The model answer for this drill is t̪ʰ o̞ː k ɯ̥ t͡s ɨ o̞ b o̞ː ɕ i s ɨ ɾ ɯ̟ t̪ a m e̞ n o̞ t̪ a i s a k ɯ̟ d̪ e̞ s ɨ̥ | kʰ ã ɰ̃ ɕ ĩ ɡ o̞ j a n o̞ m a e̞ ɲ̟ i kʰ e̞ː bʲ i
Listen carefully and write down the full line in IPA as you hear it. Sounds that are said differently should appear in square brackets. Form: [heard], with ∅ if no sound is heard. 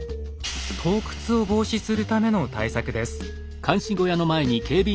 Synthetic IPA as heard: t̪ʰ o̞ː k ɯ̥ t͡s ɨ o̞ b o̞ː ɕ i s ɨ ɾ ɯ̟ t̪ a m e̞ n o̞ t̪ a i s a k ɯ̟ d̪ e̞ s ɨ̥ | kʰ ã ɰ̃ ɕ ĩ ɡ o̞ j a n o̞ m a e̞ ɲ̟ i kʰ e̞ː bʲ i